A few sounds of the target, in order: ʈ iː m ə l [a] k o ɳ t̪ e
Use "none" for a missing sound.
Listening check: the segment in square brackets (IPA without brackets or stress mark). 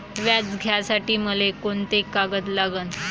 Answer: e